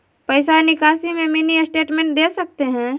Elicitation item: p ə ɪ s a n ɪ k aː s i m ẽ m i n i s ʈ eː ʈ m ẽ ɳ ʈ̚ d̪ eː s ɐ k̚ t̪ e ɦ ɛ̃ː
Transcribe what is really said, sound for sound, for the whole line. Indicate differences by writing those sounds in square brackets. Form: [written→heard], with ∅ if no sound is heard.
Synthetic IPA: p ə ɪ s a n ɪ k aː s i m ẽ m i n i s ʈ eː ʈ m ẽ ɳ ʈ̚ d̪ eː s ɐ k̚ t̪ e ɦ ɛ̃ː